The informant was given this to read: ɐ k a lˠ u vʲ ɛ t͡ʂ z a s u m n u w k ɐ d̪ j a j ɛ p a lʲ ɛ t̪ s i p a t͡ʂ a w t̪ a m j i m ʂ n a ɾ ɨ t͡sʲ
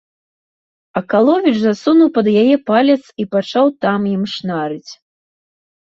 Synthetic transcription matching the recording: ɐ k a lˠ ɔ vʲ i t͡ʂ z a s u n u w p ɐ d̪ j a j ɛ p a lʲ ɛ t̪ s i p a t͡ʂ a w t̪ a m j i m ʂ n a ɾ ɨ t͡sʲ